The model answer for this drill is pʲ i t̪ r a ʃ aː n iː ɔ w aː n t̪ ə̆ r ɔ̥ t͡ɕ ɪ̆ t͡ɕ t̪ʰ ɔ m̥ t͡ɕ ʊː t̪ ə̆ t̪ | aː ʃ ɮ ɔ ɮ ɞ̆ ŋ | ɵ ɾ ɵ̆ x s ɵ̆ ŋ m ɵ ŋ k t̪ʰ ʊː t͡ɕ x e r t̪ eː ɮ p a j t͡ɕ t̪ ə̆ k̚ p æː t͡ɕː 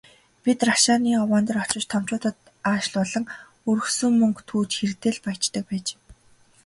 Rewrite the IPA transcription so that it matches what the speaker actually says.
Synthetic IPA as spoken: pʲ i t̪ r a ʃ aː n iː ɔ w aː n t̪ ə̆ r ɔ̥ t͡ɕ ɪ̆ t͡ɕ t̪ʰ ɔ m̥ t͡ɕ ʊː t̪ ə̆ t̪ | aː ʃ ɮ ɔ ɮ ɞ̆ ŋ | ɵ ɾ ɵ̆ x s ɵ̆ ŋ m ɵ ŋ k t̪ʰ uː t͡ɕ x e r t̪ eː ɮ p a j t͡ɕ t̪ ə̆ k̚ p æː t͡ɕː

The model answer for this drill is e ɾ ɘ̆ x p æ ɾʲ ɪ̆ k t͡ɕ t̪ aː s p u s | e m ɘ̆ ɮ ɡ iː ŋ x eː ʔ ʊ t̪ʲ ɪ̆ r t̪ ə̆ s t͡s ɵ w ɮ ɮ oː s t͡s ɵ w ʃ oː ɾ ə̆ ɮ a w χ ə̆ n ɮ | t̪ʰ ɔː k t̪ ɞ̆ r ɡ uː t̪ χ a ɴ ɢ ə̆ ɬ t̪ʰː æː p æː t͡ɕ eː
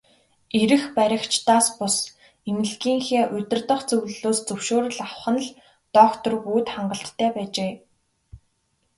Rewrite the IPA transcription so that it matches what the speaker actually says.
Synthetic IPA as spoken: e ɾ ɘ̆ x p æ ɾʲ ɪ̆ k t͡ɕ t̪ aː s p ʊ s | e m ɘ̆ ɮ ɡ iː ŋ x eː ʔ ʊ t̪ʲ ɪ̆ r t̪ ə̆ χ t͡s ɵ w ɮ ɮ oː s t͡s ɵ w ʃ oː ɾ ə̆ ɮ a w χ ə̆ n ɮ | t̪ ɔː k t̪ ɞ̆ r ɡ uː t̪ χ a ɴ ɢ ə̆ ɬ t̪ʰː æː p æː t͡ɕ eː

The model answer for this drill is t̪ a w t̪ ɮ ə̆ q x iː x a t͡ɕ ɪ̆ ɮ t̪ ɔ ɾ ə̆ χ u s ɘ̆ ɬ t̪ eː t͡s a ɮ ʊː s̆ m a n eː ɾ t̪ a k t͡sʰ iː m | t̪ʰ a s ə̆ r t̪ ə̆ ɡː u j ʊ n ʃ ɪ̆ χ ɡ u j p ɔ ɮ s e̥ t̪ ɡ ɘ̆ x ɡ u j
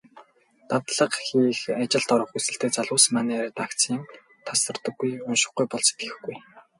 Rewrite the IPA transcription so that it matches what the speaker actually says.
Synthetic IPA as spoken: t̪ a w t̪ ɮ ə̆ q x iː x a t͡ɕ ɪ̆ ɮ t̪ ɔ ɾ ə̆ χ u s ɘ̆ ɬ t̪ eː t͡s a ɮ ʊː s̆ m a n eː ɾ t̪ a k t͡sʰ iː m | t̪ʰ a s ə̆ r t̪ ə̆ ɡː u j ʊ n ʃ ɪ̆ χ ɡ u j p ɔ ɮ s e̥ t̪ ɡ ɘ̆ x ɡ u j

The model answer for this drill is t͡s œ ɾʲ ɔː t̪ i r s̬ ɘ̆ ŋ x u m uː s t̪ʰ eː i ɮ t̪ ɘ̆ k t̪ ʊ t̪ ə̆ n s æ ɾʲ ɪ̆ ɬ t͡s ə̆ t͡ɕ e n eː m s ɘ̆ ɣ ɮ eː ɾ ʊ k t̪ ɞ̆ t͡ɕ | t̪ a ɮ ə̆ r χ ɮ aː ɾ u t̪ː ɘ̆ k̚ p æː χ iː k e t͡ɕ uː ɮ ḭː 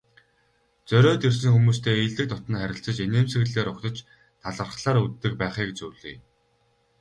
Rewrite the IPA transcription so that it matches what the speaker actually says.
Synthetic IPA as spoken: t͡s œ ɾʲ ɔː t̪ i r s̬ ɘ̆ ŋ x u m uː s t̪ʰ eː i ɮ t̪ ɘ̆ k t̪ ʊ t̪ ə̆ n χ æ ɾʲ ɪ̆ ɬ t͡s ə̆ t͡ɕ e n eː m s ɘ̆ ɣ ɮ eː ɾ ʊ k t̪ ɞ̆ t͡ɕ | t̪ʰ a ɮ ə̆ r χ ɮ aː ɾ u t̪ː ɘ̆ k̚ p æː χ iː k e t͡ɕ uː ɮ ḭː

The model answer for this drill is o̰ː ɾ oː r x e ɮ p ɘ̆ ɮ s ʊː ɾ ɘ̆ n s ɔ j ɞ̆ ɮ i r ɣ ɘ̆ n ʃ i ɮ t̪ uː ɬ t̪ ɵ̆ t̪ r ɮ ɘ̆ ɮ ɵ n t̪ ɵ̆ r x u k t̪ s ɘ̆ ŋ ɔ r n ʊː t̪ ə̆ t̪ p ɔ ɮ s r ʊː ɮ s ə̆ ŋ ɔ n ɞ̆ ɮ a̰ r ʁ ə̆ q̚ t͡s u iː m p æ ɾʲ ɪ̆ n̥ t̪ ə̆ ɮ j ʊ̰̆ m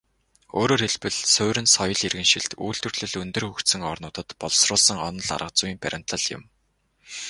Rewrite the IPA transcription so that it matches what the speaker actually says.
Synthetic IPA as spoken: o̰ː ɾ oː r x e ɮ p ɘ̆ ɮ s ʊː ɾ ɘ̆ n s ɔ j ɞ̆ ɮ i r ɣ ɘ̆ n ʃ i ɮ t̪ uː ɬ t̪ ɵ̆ r ɮ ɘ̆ ɮ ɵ n t̪ ɵ̆ r x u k t̪ s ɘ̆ ŋ ɔ r n ʊː t̪ ə̆ t̪ p ɔ ɮ s r ʊː ɮ s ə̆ ŋ ɔ n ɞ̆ ɮ a̰ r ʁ ə̆ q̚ t͡s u iː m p æ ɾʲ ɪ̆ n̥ t̪ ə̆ ɮ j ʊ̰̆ m

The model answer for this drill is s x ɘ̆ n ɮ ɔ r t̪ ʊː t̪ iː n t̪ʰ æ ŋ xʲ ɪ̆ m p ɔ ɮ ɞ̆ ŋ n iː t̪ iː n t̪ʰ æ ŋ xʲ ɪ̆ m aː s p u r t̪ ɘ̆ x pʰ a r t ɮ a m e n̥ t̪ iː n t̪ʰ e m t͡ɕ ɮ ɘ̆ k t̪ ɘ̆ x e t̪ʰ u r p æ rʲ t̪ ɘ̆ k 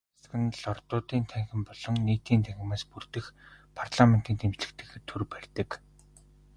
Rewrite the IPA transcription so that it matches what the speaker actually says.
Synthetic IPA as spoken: s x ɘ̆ n ɮ ɔ r t̪ ʊː t̪ iː n t̪ʰ æ ŋ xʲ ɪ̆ m p ɔ ɮ ɞ̆ ŋ n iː t̪ iː n t̪ʰ æ ŋ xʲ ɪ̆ m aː s p u r t̪ ɘ̆ x pʰ a r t ɮ a m e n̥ t̪ iː n t̪ʰ e m t͡ɕ ɮ ɘ̆ k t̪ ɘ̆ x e t̪ʰ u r p æ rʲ t̪ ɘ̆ k

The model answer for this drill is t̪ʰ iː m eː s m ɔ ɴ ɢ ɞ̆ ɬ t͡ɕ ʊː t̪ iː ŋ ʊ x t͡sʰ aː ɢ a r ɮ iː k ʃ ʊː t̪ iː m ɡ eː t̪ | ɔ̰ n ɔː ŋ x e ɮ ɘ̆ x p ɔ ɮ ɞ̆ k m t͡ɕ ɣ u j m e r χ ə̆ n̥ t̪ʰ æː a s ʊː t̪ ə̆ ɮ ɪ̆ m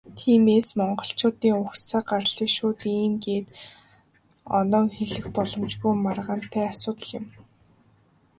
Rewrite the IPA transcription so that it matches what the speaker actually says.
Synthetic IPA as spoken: t̪ʰ iː m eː s m ɔ ɴ ɢ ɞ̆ ɬ t͡ɕ ʊː t̪ iː ŋ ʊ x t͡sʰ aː ɢ a r ɮ iː k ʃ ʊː t̪ iː m ɡ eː t̪ | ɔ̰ n ɔː ŋ x e ɮ ɘ̆ x p ɔ ɮ ɞ̆ m t͡ɕ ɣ u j m a r ʁ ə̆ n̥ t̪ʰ æː a s ʊː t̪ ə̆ ɮ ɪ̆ m

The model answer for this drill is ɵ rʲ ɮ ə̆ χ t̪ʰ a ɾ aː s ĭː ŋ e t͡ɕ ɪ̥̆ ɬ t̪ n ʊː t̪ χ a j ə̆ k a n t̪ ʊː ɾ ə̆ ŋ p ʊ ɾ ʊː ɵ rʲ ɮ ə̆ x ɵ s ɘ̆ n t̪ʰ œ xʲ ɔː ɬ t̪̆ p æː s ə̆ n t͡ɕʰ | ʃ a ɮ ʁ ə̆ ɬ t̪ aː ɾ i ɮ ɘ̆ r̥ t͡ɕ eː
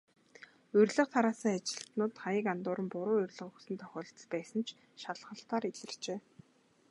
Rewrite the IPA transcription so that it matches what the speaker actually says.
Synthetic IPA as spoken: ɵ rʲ ɮ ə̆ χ t̪ʰ a ɾ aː s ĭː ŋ a t͡ɕ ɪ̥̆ ɬ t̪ n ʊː t̪ χ a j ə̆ k a n t̪ ʊː ɾ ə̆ m p ʊ ɾ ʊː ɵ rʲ ɮ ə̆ χ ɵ s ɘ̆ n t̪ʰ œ xʲ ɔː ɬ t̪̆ p æː s ə̆ n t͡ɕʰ | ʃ a ɮ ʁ ə̆ ɬ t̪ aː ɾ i ɮ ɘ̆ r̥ t͡ɕ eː

